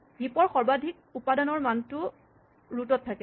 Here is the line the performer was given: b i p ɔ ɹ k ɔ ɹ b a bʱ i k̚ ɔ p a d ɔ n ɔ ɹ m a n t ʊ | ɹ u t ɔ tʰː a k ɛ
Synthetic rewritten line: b i p ɔ ɹ x ɔ ɹ b a dʱ i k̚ u p a d ɔ n ɔ ɹ m a n t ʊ | ɹ u t ɔ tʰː a k ɛ

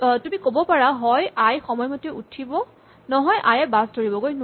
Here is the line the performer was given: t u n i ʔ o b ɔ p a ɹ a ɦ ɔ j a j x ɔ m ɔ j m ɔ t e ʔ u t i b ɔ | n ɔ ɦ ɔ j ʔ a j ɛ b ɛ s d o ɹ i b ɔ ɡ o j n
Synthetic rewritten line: t u m i k o b ɔ p a ɹ a ɦ ɔ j a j x ɔ m ɔ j m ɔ t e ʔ u tʰ i b ɔ | n ɔ ɦ ɔ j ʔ a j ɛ b a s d o ɹ i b ɔ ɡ o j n

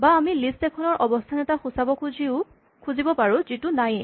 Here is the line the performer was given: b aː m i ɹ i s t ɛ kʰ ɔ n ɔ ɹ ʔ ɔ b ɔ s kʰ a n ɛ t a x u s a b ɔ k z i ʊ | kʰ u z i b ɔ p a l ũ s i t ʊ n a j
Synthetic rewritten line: b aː m i l i s t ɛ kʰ ɔ n ɔ ɹ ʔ ɔ b ɔ s tʰ a n ɛ t a x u s a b ɔ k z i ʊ | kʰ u z i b ɔ p a ɹ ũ z i t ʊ n a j

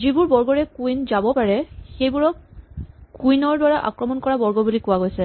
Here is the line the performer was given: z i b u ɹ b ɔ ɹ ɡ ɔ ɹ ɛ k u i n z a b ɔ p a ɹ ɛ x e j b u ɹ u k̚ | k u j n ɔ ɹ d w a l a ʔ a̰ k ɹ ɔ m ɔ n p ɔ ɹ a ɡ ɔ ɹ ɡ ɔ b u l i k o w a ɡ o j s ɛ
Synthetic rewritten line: z i b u ɹ b ɔ ɹ ɡ ɔ ɹ ɛ k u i n z a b ɔ p a ɹ ɛ x e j b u ɹ ɔ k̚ | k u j n ɔ ɹ d w a ɹ a ʔ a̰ k ɹ ɔ m ɔ n k ɔ ɹ a b ɔ ɹ ɡ ɔ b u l i k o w a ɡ o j s ɛ

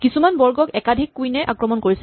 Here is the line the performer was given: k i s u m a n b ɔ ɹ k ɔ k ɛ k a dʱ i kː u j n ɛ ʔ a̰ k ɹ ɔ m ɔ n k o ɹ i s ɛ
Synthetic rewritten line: k i s u m a n b ɔ ɹ ɡ ɔ k ɛ k a dʱ i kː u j n ɛ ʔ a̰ k ɹ ɔ m ɔ n k o ɹ i s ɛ

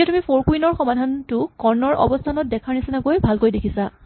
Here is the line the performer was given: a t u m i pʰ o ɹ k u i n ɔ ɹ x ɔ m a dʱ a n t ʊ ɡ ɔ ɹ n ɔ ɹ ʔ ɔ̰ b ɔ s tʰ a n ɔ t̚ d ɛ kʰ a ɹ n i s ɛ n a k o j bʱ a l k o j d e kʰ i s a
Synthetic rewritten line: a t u m i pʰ o ɹ k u i n ɔ ɹ x ɔ m a dʱ a n t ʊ k ɔ ɹ n ɔ ɹ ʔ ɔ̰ b ɔ s tʰ a n ɔ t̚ d ɛ kʰ a ɹ n i s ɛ n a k o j bʱ a l k o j d e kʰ i s a

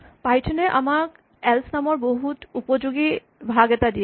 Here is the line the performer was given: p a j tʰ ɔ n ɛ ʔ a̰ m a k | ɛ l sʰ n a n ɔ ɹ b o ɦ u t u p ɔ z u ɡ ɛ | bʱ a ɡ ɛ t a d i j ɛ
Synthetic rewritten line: p a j tʰ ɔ n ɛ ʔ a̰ m a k | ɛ l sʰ n a m ɔ ɹ b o ɦ u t u p ɔ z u ɡ i | bʱ a ɡ ɛ t a d i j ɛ

